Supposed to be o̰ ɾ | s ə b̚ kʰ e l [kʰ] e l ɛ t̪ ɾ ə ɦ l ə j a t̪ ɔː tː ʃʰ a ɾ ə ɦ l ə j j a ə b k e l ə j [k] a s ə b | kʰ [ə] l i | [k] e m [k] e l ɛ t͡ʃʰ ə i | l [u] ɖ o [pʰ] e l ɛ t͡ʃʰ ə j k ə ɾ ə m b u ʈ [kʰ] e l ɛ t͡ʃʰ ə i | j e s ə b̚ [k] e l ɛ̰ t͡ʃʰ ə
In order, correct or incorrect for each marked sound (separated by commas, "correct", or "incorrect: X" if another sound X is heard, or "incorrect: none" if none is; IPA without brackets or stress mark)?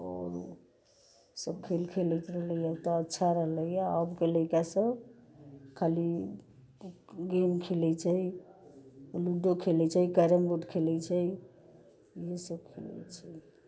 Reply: correct, correct, incorrect: a, incorrect: ɡ, incorrect: kʰ, correct, incorrect: kʰ, correct, incorrect: kʰ